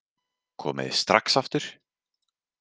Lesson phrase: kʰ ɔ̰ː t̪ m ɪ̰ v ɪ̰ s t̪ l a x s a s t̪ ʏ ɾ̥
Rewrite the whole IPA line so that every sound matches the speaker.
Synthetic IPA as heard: kʰ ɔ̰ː m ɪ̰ ð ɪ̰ s t̪ ɾ a k s a f t̪ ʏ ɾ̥